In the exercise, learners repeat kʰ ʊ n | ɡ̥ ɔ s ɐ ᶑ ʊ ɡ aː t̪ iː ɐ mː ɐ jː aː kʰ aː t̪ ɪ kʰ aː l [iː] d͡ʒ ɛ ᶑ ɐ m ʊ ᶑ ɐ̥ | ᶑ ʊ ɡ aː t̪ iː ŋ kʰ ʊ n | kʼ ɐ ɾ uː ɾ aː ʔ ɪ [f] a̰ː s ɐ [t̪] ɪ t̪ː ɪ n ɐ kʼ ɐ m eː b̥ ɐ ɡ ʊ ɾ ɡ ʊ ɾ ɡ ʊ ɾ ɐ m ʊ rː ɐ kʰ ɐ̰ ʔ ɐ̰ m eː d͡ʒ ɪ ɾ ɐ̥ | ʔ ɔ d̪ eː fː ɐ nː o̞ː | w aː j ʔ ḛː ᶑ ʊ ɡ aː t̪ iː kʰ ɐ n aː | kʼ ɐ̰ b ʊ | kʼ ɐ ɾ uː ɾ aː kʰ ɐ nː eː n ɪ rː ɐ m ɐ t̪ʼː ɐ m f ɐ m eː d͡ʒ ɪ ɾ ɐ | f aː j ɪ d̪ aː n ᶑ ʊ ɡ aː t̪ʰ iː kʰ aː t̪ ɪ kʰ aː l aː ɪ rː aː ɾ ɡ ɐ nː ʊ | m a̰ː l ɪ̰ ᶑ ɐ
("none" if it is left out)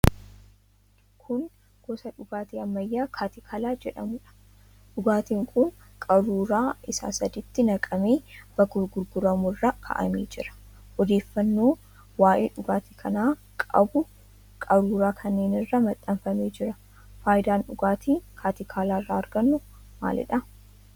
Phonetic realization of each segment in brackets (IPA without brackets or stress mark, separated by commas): aː, s, d̪